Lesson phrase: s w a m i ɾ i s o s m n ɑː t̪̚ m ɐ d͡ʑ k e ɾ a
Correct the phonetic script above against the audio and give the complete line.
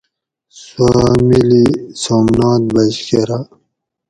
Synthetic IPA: s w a m i l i s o m n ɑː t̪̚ b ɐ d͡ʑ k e ɾ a